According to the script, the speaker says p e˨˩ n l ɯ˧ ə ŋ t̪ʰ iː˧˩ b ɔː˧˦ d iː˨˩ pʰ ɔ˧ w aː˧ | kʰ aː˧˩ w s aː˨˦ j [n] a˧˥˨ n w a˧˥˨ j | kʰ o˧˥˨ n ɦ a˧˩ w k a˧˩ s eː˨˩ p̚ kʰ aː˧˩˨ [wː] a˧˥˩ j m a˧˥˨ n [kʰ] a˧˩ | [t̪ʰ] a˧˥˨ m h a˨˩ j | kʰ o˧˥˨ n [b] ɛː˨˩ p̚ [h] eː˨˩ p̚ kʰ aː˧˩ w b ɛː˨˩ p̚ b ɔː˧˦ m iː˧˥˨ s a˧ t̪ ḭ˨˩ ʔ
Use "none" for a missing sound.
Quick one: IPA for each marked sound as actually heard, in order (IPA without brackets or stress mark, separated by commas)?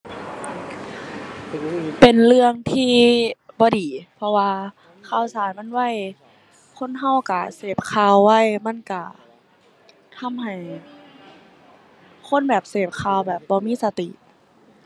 m, wː, k, t̪ʰ, b, s